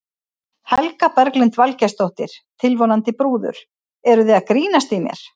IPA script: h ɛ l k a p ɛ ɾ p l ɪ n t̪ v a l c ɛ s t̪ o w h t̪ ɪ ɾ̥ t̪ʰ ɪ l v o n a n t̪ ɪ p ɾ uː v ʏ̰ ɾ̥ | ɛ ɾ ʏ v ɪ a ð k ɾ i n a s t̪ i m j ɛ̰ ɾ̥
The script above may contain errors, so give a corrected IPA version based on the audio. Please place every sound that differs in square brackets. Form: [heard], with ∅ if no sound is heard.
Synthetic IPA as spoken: h ɛ l k a p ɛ ɾ [k] l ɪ n t̪ v a l c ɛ s t̪ o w h t̪ ɪ ɾ̥ t̪ʰ ɪ l v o n a n t̪ ɪ p ɾ uː [ð] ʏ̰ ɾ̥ | ɛ ɾ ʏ [ð] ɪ a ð k ɾ [iː] n a s t̪ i m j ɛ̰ ɾ̥